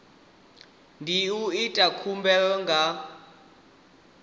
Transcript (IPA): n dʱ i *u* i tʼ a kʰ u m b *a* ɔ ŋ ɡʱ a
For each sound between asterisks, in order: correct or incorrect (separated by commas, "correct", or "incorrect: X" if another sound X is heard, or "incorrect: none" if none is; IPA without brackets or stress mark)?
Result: correct, incorrect: ɛ